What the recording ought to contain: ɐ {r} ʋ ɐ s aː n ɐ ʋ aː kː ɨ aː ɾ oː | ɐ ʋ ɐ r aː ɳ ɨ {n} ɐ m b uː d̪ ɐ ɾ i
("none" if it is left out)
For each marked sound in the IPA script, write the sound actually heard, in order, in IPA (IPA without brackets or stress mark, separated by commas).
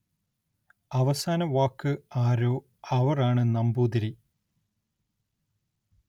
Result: none, n